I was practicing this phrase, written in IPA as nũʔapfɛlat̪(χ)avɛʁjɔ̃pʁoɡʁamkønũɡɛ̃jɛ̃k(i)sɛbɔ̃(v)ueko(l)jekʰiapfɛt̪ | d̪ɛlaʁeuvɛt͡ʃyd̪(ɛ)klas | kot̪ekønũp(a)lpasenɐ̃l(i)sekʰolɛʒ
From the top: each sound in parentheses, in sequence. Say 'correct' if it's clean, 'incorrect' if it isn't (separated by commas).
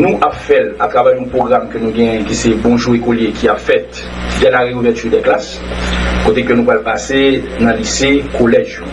incorrect, correct, incorrect, correct, correct, correct, correct